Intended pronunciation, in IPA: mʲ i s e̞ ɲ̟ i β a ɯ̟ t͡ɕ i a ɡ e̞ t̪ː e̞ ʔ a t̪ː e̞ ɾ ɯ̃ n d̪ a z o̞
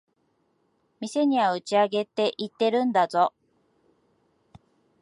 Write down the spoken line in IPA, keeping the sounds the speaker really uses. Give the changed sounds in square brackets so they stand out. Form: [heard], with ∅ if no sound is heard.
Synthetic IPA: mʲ i s e̞ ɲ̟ i β a ɯ̟ t͡ɕ i a ɡ e̞ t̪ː e̞ ʔ [i] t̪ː e̞ ɾ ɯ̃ n d̪ a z o̞